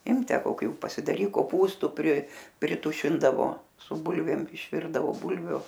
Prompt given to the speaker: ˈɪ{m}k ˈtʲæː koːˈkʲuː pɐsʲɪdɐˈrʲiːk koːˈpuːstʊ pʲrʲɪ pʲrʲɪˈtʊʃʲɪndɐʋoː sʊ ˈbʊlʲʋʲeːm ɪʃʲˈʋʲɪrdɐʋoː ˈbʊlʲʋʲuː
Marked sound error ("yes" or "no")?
no